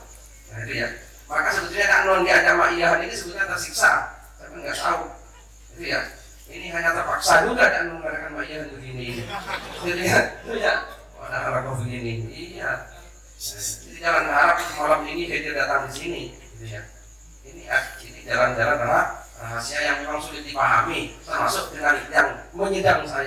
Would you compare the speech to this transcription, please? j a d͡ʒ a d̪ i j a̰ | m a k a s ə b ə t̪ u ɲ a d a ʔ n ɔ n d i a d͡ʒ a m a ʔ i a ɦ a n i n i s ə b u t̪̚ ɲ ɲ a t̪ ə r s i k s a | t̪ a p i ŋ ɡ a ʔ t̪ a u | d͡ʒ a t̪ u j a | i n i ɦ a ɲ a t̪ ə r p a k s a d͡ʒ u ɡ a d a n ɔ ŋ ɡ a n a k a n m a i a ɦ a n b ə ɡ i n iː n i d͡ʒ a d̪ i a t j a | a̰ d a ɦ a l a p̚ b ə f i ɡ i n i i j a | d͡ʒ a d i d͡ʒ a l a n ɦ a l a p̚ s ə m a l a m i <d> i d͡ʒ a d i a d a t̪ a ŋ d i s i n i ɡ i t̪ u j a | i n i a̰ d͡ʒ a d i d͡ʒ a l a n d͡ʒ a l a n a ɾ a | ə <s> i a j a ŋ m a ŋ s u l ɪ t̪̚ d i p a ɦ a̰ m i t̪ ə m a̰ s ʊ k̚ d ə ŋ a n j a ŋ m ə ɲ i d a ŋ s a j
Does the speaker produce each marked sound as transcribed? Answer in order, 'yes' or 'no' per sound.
no, yes

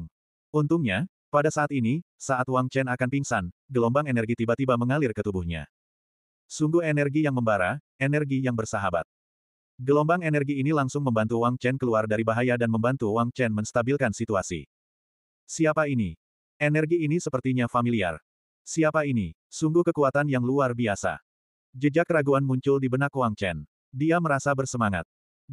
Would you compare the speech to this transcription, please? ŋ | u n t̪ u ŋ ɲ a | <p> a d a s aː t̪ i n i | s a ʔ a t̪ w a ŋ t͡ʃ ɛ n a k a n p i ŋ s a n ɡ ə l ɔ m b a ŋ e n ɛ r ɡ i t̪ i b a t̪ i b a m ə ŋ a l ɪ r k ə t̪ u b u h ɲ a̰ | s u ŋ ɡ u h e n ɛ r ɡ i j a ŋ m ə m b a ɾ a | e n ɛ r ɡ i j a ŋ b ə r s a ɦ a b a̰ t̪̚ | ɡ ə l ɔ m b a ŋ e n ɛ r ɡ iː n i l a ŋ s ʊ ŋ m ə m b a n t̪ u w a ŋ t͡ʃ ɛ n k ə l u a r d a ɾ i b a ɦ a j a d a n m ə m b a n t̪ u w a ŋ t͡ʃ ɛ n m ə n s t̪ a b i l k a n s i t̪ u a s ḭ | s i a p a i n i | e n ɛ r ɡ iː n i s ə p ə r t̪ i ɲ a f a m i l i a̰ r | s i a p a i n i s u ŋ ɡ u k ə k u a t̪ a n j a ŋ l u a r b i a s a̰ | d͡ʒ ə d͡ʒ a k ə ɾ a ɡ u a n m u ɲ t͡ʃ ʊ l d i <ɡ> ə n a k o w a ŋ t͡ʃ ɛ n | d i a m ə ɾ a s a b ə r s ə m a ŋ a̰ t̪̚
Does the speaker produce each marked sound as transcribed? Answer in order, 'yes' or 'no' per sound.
yes, no

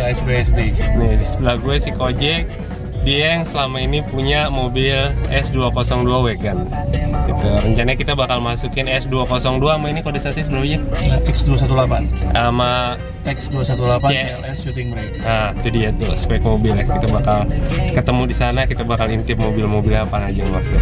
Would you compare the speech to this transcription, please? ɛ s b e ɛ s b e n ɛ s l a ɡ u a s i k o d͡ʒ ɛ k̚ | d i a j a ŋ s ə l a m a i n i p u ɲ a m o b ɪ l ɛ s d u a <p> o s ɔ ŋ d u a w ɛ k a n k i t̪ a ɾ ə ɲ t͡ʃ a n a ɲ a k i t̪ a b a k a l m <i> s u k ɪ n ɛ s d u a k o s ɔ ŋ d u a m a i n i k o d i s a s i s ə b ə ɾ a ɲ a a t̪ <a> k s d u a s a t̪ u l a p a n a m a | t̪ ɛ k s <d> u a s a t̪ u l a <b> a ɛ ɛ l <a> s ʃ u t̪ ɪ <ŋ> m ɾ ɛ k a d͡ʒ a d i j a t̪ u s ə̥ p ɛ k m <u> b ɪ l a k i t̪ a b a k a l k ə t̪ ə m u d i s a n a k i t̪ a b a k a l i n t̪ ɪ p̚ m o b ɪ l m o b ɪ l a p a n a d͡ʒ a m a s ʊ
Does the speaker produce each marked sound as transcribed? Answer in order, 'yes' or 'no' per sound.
no, no, no, yes, no, no, yes, no

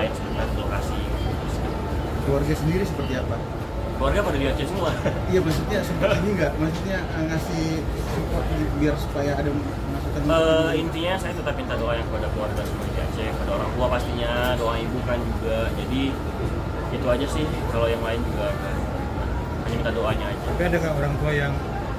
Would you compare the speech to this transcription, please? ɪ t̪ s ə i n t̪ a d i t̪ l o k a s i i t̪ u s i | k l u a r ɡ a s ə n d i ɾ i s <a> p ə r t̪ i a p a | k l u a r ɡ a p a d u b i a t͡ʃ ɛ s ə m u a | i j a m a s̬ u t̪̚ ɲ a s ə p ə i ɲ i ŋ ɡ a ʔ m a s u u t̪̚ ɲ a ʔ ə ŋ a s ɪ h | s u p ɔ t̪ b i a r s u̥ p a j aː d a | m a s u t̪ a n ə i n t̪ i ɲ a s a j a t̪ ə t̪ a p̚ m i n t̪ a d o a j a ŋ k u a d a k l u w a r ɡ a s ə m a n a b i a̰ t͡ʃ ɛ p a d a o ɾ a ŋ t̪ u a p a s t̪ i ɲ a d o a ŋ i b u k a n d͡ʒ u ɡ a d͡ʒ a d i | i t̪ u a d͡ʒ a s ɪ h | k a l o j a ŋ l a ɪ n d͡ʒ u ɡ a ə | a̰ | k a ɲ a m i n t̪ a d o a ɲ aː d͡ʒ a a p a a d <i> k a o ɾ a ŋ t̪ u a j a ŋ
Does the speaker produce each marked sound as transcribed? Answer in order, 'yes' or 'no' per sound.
no, no

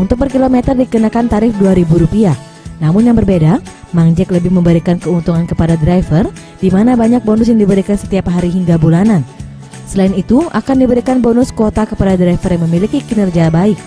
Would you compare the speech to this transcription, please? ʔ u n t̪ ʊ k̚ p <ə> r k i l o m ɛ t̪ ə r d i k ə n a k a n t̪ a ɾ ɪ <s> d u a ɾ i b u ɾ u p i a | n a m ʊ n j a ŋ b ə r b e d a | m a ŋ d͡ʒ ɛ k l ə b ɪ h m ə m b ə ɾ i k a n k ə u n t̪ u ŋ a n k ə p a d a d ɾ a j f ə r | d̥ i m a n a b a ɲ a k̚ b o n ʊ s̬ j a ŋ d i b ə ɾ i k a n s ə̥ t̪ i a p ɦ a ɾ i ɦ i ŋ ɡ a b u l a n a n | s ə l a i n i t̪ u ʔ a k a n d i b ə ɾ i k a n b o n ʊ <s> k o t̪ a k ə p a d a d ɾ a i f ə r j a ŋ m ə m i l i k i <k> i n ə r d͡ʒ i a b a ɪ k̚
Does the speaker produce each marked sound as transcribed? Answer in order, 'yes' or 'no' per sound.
yes, no, yes, yes

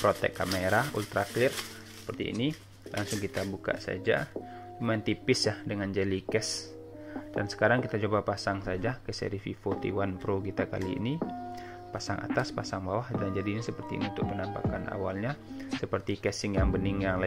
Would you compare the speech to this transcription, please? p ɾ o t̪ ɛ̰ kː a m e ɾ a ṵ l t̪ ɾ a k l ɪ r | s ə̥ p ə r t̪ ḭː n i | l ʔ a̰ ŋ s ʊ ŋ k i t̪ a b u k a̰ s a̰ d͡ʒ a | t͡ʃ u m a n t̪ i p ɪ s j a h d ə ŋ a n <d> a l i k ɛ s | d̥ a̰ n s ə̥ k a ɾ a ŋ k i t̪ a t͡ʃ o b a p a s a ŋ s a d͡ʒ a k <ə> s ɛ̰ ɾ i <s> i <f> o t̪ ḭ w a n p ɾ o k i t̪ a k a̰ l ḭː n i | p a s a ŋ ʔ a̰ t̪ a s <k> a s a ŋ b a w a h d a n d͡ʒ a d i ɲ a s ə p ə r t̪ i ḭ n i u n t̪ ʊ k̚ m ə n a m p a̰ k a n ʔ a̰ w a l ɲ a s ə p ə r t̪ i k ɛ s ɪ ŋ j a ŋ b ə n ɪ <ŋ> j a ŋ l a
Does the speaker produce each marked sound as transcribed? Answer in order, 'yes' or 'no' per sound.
no, yes, no, yes, no, yes

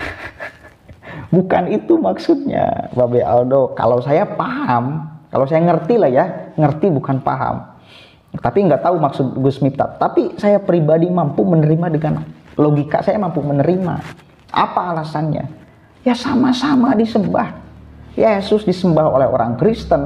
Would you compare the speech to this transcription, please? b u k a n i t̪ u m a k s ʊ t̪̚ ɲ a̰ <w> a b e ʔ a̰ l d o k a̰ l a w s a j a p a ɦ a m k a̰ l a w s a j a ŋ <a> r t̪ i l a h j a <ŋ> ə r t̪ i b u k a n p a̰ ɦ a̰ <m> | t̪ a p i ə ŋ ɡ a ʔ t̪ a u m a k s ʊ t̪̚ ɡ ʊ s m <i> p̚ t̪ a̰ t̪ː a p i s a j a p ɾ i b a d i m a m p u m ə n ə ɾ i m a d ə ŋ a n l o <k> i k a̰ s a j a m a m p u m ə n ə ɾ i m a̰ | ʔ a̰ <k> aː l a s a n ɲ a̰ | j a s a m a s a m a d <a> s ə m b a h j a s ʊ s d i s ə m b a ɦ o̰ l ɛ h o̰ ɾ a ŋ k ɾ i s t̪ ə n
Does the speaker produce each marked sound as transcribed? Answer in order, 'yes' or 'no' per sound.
no, no, yes, yes, yes, no, no, no

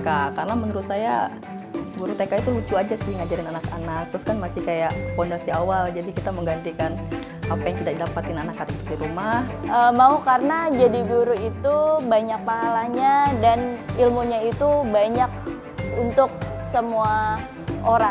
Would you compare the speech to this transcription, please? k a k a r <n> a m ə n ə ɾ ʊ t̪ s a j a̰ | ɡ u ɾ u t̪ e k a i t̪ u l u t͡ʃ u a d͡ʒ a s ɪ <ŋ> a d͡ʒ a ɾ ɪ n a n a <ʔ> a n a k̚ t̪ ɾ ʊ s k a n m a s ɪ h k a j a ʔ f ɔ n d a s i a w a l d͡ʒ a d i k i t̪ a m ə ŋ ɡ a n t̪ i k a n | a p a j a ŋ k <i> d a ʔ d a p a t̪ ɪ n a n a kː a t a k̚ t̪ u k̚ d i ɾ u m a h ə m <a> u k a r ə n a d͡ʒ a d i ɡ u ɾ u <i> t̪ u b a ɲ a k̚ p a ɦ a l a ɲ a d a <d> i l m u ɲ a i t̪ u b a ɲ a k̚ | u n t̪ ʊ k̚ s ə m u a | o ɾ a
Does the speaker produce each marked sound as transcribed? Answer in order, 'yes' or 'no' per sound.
yes, yes, no, yes, yes, yes, no

